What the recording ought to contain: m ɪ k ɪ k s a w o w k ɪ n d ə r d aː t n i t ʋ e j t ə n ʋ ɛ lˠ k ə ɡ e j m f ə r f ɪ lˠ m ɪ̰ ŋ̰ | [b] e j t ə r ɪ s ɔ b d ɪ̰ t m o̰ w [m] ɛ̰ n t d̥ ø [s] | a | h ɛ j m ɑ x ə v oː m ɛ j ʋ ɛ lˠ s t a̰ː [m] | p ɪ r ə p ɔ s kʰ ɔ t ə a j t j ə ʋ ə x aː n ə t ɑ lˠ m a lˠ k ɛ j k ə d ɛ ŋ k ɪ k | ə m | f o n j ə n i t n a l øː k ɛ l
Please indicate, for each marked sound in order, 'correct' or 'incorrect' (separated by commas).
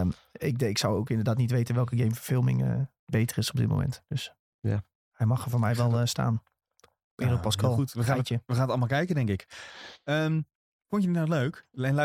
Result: correct, correct, correct, incorrect